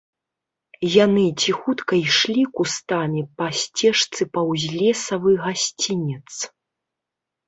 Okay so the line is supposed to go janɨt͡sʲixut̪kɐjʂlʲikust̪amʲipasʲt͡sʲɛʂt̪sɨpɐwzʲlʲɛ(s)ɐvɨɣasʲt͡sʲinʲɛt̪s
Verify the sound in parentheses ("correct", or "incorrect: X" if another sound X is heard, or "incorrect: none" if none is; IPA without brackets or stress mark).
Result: correct